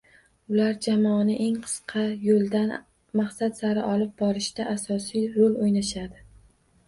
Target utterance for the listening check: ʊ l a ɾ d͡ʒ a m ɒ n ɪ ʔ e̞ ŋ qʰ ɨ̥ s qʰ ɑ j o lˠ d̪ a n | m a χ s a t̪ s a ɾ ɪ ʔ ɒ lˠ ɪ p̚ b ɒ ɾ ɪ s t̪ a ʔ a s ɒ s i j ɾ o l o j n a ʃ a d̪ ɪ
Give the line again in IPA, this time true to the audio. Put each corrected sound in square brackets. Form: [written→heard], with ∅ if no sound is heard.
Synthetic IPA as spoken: ʊ l a ɾ d͡ʒ a m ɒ n ɪ ʔ e̞ ŋ qʰ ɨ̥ s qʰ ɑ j o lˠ d̪ a n | m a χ s a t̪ s a ɾ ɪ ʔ ɒ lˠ ɪ p̚ b ɒ ɾ ɪ [s→ʃ] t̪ a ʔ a s ɒ s i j ɾ o l o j n a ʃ a d̪ ɪ

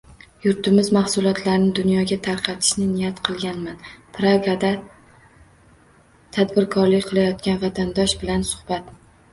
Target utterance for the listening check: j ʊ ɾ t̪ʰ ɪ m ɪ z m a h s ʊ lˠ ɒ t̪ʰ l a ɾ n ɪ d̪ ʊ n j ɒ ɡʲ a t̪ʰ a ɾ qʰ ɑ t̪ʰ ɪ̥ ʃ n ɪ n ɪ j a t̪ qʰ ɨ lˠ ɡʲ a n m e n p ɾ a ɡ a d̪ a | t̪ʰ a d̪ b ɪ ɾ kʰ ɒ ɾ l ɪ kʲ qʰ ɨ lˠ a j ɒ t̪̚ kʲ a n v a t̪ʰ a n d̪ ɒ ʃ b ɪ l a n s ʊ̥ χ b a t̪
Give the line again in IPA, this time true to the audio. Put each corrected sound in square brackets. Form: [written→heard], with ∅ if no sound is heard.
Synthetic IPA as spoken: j ʊ ɾ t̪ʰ ɪ m ɪ z m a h s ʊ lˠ ɒ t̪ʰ l a ɾ n ɪ d̪ ʊ n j ɒ ɡʲ a t̪ʰ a ɾ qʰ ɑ t̪ʰ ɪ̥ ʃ n ɪ n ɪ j a t̪ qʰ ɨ lˠ ɡʲ a n m [e→a] n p ɾ a ɡ a d̪ a | t̪ʰ a d̪ b ɪ ɾ kʰ ɒ ɾ l ɪ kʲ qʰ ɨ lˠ a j ɒ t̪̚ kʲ a n v a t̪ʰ a n d̪ ɒ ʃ b ɪ l a n s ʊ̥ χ b a t̪

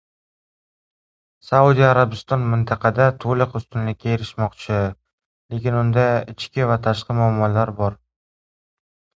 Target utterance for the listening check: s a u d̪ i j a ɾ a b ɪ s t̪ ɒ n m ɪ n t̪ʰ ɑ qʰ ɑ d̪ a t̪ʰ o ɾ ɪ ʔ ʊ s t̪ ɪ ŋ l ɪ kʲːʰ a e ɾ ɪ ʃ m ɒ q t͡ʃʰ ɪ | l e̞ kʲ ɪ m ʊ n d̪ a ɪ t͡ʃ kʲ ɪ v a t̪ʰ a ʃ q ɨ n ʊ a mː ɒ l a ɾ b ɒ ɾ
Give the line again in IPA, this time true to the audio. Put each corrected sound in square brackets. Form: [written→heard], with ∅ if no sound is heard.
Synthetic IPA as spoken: s a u d̪ i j a ɾ a b ɪ s t̪ ɒ n m ɪ n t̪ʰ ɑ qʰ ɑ d̪ a t̪ʰ o [ɾ→l] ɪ [ʔ→q] ʊ s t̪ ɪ [ŋ→n] l ɪ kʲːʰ a e ɾ ɪ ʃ m ɒ q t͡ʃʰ ɪ | l e̞ kʲ ɪ [m→n] ʊ n d̪ a ɪ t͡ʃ kʲ ɪ v a t̪ʰ a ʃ q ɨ [n→m] ʊ a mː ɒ l a ɾ b ɒ ɾ

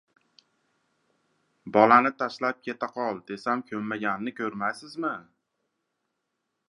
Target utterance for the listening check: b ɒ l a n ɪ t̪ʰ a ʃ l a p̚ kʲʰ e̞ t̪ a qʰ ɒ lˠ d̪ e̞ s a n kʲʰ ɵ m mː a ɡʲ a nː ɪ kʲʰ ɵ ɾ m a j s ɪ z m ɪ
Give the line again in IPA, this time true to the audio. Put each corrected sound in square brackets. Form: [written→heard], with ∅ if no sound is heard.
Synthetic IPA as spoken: b ɒ l a n ɪ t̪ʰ a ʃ l a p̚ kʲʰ e̞ t̪ a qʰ ɒ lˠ d̪ e̞ s a [n→m] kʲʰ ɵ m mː a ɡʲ a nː ɪ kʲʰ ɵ ɾ m a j s ɪ z m ɪ

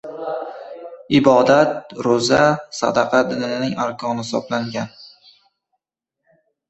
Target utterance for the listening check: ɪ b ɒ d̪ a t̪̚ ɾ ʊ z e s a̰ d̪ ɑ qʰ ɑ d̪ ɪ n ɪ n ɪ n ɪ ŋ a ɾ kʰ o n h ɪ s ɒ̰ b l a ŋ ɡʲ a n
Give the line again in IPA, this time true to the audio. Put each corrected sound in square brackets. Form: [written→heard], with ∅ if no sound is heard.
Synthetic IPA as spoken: ɪ b ɒ d̪ a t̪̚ ɾ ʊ z [e→a] s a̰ d̪ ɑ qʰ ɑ d̪ ɪ n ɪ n ɪ n ɪ ŋ a ɾ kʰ [o→ɒ] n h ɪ s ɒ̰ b l a ŋ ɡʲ a n

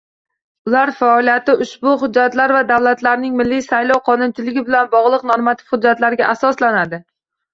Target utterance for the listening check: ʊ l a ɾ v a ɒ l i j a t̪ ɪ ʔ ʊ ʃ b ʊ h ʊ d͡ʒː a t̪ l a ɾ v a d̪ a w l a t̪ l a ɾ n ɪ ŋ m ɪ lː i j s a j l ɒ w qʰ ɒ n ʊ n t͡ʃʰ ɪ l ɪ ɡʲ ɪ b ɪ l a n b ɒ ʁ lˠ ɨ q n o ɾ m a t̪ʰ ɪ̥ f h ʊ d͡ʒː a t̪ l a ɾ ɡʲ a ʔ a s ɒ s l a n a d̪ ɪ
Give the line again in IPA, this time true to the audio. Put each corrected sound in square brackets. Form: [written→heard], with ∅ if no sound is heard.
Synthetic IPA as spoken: ʊ l a ɾ [v→f] a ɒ l i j a t̪ ɪ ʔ ʊ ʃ b ʊ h ʊ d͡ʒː a t̪ l a ɾ v a d̪ a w l a t̪ l a ɾ n ɪ ŋ m ɪ lː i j s a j l ɒ w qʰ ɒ n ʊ n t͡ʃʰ ɪ l ɪ ɡʲ ɪ b ɪ l a n b ɒ ʁ lˠ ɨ q n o ɾ m a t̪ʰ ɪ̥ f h ʊ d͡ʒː a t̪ l a ɾ ɡʲ a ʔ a s ɒ s l a n a d̪ ɪ

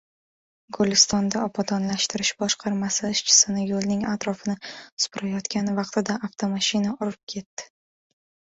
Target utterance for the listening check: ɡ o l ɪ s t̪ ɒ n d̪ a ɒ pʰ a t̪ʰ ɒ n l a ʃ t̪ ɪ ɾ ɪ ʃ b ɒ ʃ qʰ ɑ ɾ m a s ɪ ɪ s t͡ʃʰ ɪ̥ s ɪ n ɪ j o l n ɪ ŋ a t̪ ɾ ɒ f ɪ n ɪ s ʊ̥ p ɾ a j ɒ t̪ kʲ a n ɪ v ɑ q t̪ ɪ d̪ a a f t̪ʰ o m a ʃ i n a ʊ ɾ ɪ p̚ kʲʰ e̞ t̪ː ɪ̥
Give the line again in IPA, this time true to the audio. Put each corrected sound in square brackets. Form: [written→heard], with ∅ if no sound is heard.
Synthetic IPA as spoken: ɡ o l ɪ s t̪ ɒ n d̪ a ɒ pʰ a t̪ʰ ɒ n l a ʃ t̪ ɪ ɾ ɪ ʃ b ɒ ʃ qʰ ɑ ɾ m a s ɪ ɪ [s→ʃ] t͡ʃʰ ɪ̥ s ɪ n ɪ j o l n ɪ ŋ a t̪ ɾ ɒ f ɪ n ɪ s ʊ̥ p ɾ a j ɒ t̪ kʲ a n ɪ v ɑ q t̪ ɪ d̪ a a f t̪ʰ o m a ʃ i n a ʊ ɾ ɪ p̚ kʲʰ e̞ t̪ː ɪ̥

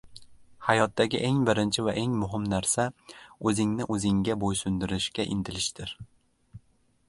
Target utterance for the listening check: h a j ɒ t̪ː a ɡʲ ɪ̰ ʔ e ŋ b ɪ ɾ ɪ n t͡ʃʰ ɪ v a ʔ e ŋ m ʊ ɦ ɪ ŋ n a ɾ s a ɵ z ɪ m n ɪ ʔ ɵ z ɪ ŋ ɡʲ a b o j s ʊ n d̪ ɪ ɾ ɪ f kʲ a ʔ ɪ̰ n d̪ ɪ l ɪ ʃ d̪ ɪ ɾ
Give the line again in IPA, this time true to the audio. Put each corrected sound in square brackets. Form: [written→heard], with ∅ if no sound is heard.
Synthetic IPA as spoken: h a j ɒ t̪ː a ɡʲ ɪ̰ ʔ e ŋ b ɪ ɾ ɪ n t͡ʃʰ ɪ v a ʔ e ŋ m ʊ ɦ ɪ [ŋ→m] n a ɾ s a ɵ z ɪ [m→ŋ] n ɪ ʔ ɵ z ɪ ŋ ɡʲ a b o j s ʊ n d̪ ɪ ɾ ɪ [f→ʃ] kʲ a ʔ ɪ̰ n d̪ ɪ l ɪ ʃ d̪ ɪ ɾ

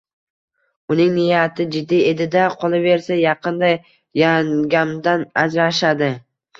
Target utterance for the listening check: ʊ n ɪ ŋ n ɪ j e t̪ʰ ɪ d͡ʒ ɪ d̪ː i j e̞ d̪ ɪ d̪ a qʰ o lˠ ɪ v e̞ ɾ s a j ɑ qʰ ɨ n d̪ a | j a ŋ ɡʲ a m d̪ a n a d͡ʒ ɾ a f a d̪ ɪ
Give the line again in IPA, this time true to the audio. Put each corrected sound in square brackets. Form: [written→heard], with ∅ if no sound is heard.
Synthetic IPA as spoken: ʊ n ɪ ŋ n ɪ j [e→a] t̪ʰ ɪ d͡ʒ ɪ d̪ː i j e̞ d̪ ɪ d̪ a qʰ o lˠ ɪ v e̞ ɾ s a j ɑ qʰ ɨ n d̪ a | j a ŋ ɡʲ a m d̪ a n a d͡ʒ ɾ a [f→ʃ] a d̪ ɪ

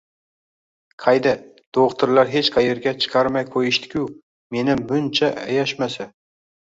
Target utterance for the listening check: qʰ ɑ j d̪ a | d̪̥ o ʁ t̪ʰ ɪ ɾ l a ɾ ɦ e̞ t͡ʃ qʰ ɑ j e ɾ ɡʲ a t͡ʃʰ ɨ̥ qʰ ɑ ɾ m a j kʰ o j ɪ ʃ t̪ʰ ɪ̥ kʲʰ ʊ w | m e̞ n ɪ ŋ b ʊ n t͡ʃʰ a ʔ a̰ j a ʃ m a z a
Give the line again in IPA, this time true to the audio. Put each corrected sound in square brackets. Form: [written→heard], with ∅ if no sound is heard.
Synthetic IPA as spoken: qʰ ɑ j d̪ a | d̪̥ o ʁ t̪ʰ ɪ ɾ l a ɾ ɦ e̞ t͡ʃ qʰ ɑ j e ɾ ɡʲ a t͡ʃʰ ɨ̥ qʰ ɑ ɾ m a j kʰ o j ɪ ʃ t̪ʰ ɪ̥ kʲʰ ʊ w | m e̞ n ɪ [ŋ→m] b ʊ n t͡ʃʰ a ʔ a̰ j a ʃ m a [z→s] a

